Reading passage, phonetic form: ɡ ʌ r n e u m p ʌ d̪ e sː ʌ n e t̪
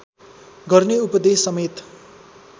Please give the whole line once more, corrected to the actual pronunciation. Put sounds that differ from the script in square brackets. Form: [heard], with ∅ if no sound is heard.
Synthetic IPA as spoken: ɡ ʌ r n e u [∅] p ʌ d̪ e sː ʌ [m] e t̪